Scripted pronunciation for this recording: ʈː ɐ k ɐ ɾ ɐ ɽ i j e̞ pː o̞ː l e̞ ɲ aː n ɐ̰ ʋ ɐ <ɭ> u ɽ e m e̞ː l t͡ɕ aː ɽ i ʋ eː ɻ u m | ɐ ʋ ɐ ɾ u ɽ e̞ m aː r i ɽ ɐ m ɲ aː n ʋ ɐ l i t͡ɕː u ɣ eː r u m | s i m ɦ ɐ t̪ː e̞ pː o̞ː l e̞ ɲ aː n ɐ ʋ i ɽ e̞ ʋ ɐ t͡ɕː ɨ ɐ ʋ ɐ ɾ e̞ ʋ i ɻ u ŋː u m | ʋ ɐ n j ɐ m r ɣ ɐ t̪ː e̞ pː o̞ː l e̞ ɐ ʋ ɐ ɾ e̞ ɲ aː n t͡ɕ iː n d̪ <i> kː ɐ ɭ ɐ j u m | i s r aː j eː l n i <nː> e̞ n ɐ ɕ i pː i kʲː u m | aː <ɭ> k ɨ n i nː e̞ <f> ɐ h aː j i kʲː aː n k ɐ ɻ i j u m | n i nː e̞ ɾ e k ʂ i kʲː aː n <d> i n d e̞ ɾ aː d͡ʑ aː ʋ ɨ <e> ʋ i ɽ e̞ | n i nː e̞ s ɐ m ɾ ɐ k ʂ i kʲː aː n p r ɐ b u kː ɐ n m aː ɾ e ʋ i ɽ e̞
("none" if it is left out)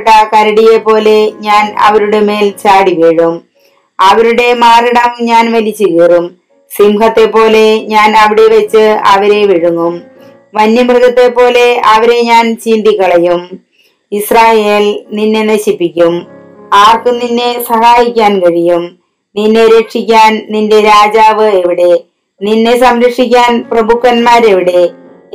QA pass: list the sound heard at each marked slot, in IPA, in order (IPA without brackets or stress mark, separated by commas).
ɾ, i, nː, r, s, n, e